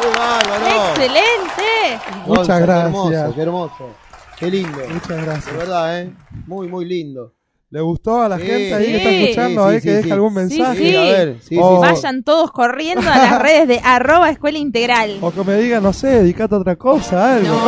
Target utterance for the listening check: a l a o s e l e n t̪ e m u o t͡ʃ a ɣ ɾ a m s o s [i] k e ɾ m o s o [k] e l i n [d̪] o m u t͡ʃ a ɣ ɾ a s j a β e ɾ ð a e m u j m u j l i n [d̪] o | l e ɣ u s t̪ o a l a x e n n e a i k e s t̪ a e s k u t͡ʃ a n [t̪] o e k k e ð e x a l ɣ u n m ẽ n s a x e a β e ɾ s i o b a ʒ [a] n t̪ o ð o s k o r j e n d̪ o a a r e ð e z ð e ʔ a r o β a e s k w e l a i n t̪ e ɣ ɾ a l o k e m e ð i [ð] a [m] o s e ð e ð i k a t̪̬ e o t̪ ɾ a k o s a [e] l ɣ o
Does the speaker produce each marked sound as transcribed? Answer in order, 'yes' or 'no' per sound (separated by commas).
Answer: no, yes, yes, yes, no, yes, no, no, no